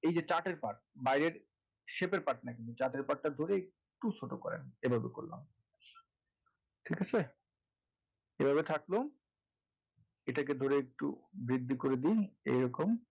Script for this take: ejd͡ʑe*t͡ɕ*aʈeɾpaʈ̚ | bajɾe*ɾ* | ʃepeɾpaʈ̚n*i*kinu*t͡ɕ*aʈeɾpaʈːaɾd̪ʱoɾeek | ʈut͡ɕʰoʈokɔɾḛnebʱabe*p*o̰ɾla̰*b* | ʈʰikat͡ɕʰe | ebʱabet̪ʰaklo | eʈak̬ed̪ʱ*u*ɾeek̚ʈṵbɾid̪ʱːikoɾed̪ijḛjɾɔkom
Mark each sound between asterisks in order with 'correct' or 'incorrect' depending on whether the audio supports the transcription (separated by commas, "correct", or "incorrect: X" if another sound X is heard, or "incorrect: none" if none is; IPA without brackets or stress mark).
correct, correct, incorrect: a, correct, incorrect: k, incorrect: m, incorrect: o